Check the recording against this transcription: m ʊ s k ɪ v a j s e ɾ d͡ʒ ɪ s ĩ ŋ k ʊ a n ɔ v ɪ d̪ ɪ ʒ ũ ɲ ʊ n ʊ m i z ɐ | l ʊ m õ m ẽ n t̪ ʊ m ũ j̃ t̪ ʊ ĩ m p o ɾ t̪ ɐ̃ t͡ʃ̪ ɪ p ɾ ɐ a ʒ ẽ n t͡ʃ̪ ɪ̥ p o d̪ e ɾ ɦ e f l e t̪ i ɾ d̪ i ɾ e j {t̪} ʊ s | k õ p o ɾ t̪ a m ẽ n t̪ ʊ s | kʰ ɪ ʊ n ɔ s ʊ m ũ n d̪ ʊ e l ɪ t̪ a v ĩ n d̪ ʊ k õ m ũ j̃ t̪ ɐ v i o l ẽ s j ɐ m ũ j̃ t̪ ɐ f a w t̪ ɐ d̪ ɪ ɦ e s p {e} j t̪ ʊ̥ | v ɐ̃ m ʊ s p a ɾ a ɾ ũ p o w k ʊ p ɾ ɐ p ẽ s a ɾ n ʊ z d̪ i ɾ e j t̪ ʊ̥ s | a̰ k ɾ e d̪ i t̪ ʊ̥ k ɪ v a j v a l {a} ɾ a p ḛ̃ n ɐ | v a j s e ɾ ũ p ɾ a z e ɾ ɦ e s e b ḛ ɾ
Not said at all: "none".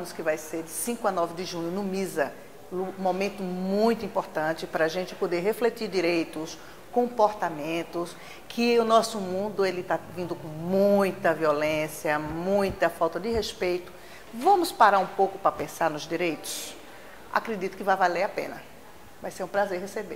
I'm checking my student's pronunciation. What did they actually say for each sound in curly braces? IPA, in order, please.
t̪, e, e

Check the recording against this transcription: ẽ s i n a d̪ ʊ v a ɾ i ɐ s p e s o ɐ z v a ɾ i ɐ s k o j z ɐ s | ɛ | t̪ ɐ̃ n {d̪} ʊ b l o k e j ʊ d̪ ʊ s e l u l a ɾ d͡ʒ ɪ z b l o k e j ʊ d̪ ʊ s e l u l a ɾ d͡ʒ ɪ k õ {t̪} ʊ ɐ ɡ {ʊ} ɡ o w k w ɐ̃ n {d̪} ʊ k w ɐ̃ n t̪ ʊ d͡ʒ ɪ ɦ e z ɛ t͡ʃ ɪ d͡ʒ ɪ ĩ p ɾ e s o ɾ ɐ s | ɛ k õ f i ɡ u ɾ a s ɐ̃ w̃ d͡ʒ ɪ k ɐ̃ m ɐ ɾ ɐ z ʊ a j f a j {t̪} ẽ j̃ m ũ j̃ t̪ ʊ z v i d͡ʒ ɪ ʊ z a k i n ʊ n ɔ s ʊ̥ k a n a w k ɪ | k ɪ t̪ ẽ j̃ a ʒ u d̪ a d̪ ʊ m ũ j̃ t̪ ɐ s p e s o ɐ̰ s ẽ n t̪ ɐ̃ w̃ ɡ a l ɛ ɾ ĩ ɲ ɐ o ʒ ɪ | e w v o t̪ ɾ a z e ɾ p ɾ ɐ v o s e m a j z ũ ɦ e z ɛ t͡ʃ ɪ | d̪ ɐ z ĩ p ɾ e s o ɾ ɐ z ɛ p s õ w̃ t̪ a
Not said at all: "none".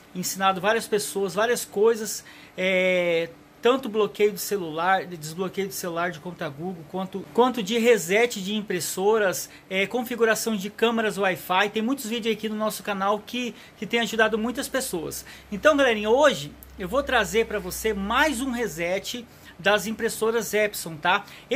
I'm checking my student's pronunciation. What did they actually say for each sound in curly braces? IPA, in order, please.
t̪, t̪, u, t̪, t̪

